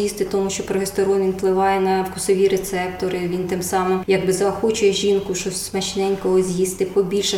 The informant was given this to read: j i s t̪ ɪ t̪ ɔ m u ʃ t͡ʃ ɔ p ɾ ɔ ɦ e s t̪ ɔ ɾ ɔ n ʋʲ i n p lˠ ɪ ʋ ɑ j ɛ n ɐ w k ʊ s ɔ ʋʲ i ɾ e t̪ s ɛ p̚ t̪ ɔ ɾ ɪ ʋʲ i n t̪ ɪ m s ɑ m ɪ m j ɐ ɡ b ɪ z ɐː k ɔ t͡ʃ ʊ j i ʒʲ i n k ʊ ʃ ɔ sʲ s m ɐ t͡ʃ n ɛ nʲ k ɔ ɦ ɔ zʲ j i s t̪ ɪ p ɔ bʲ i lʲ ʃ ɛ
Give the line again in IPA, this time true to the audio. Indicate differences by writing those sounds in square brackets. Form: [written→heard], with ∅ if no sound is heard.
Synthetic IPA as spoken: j i s t̪ ɪ t̪ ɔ m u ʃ t͡ʃ ɔ p ɾ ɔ ɦ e s t̪ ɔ ɾ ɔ n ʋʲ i n p lˠ ɪ ʋ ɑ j ɛ n ɐ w k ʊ s ɔ ʋʲ i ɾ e t̪ s ɛ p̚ t̪ ɔ ɾ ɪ ʋʲ i n t̪ ɪ m s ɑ m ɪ m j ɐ ɡ b ɪ z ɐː [k→x] ɔ t͡ʃ ʊ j [i→ɛ] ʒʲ i n k ʊ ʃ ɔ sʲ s m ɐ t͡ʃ n ɛ nʲ k ɔ ɦ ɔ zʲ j i s t̪ ɪ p ɔ bʲ i lʲ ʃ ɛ